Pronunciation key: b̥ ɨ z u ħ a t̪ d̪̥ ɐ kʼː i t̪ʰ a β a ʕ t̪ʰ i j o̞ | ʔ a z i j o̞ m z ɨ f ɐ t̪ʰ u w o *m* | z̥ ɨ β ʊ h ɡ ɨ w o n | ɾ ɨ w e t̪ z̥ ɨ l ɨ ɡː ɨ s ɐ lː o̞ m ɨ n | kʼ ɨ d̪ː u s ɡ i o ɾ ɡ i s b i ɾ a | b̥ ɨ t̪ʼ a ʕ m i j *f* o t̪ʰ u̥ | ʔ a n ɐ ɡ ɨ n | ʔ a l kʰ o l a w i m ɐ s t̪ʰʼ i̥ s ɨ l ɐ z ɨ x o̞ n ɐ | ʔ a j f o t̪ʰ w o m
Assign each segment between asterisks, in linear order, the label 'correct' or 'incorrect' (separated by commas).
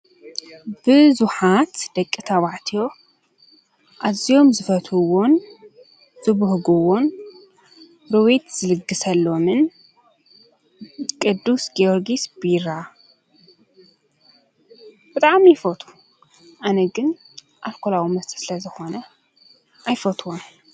incorrect, correct